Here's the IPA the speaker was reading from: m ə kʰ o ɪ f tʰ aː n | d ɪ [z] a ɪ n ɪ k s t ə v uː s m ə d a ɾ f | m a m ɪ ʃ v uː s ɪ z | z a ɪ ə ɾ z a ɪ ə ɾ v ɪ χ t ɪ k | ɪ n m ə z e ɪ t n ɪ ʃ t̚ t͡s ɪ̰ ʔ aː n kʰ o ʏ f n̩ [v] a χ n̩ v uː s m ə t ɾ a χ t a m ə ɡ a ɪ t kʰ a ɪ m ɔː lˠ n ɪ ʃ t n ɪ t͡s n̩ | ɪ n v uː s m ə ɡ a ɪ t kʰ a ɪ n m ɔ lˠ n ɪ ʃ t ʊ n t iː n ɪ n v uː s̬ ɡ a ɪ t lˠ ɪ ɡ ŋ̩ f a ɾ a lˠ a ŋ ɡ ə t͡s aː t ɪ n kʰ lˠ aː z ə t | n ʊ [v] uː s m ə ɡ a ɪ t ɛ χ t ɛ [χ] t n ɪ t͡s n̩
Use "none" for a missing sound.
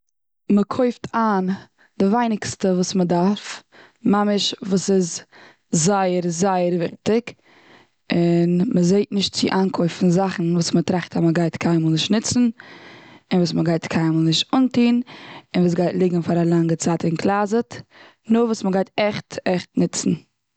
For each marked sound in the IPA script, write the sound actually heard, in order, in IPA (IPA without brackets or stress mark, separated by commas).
v, z, v, χ